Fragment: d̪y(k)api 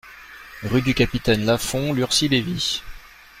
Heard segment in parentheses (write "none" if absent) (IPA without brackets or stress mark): k